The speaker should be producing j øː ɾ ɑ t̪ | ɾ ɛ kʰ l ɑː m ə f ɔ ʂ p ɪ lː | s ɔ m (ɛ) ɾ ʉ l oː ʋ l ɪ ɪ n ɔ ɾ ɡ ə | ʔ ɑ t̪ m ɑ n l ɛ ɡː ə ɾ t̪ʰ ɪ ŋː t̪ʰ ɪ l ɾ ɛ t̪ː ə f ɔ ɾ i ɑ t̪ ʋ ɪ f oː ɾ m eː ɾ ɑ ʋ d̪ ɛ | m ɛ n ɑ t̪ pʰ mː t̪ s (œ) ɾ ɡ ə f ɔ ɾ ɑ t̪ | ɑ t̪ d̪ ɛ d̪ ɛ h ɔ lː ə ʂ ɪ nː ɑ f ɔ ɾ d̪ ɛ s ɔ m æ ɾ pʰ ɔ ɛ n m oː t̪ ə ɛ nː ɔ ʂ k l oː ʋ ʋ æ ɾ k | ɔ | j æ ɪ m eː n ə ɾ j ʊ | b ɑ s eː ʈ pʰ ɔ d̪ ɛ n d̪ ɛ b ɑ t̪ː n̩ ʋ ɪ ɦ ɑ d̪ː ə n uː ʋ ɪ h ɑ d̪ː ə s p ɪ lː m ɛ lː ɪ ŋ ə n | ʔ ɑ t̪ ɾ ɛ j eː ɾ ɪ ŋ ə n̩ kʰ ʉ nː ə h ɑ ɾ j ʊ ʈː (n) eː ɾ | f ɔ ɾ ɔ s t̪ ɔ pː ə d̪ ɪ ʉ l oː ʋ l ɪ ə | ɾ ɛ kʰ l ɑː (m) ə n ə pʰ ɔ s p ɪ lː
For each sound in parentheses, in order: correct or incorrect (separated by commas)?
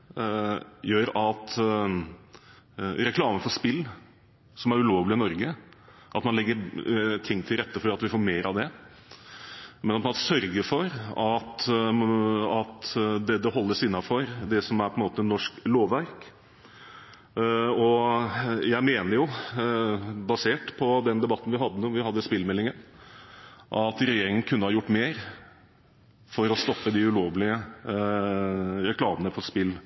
incorrect, correct, incorrect, correct